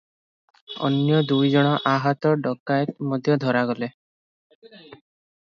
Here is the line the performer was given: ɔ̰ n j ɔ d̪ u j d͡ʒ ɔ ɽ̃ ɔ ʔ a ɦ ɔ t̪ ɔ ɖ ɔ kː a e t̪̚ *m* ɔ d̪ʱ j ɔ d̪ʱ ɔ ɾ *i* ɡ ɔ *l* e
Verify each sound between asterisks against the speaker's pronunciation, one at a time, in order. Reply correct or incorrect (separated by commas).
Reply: correct, incorrect, correct